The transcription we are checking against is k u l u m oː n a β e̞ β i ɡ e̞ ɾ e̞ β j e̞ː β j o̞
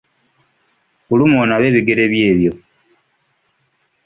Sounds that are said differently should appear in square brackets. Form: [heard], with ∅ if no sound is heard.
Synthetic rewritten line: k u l u m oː n a β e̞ β i ɡ e̞ ɾ e̞ β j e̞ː β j o̞

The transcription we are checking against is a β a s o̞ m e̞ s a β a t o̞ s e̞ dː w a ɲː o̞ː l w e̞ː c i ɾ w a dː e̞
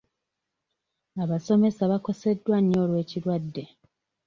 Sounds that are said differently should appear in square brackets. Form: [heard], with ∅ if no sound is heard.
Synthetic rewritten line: a β a s o̞ m e̞ s a β a [k] o̞ s e̞ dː w a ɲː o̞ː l w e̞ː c i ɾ w a dː e̞

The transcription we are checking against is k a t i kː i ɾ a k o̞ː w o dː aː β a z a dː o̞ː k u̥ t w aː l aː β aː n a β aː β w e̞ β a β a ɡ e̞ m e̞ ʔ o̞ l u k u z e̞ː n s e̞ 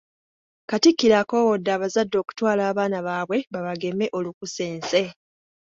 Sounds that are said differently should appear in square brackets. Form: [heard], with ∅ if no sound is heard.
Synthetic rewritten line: k a t i kː i ɾ a k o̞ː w o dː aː β a z a dː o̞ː k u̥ t w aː l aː β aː n a β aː β w e̞ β a β a ɡ e̞ m e̞ ʔ o̞ l u k u [s] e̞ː n s e̞

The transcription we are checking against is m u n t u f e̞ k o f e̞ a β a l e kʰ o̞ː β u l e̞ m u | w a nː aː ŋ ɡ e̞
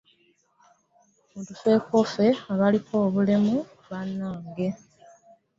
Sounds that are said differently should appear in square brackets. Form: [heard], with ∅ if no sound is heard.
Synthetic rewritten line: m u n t u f e̞ k o f e̞ a β a l [i] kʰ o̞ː β u l e̞ m u | [β] a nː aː ŋ ɡ e̞

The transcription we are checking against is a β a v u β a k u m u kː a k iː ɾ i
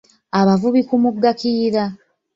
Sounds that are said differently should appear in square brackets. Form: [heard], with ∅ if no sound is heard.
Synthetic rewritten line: a β a v u β [i] k u m u [ɡː] a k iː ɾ [a]

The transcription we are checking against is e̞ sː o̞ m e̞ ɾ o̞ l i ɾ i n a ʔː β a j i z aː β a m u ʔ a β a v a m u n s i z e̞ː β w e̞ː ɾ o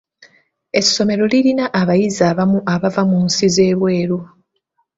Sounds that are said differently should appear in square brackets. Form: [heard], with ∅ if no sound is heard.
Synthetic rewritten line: e̞ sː o̞ m e̞ ɾ o̞ l i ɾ i n a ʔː β a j i z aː β a m u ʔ a β a v a m u n s i z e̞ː β w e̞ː ɾ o

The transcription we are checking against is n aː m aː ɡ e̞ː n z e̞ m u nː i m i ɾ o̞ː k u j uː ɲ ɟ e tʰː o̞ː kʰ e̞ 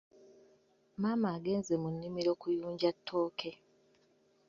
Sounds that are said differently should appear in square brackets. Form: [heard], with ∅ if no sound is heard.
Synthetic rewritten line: [m] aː m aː ɡ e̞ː n z e̞ m u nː i m i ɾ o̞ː k u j uː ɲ ɟ [a] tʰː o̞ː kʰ e̞

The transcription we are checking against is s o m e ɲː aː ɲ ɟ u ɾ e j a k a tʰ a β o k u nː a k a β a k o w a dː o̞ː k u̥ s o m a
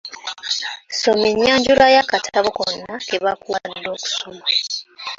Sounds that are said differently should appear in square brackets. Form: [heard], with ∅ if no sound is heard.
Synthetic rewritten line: s o m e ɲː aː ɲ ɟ u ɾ [a] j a k a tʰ a β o k [o] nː a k [e] β a k [u] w a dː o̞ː k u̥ s o m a

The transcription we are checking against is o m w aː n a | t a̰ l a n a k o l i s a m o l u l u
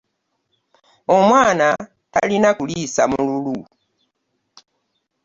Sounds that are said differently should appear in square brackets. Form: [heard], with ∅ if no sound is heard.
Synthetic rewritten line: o m w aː n a | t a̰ l [i] n a k [u] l i s a m [u] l u l u

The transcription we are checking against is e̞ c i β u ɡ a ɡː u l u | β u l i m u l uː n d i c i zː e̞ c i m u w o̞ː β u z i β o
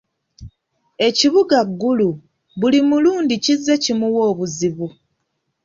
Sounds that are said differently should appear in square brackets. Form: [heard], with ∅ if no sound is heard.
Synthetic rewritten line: e̞ c i β u ɡ a ɡː u l u | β u l i m u l uː n d i c i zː e̞ c i m u w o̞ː β u z i β [u]

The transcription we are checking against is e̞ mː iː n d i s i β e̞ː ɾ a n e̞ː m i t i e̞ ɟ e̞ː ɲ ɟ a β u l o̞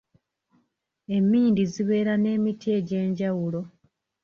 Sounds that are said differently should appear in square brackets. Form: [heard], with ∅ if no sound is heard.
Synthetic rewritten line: e̞ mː iː n d i [z] i β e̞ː ɾ a n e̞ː m i t i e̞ ɟ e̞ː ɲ ɟ a [w] u l o̞

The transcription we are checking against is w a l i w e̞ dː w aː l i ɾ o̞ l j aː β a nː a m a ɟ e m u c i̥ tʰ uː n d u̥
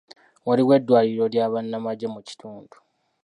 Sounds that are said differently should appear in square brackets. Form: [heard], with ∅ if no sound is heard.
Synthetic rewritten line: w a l i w e̞ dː w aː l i ɾ o̞ l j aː β a nː a m a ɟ e m u c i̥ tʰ uː n d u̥

